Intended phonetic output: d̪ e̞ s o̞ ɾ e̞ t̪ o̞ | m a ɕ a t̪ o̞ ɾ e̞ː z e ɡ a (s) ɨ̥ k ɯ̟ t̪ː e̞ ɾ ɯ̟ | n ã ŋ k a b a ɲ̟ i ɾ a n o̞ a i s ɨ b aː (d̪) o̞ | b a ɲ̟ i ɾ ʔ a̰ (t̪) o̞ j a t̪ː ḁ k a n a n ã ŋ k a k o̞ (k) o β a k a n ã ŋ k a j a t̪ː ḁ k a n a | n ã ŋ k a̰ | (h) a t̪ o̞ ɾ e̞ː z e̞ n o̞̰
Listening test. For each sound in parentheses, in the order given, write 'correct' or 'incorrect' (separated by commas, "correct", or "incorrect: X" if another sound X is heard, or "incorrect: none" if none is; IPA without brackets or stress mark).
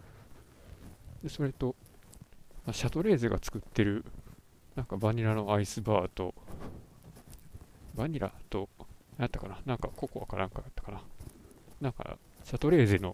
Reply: incorrect: t͡s, incorrect: t̪, correct, correct, incorrect: ɕ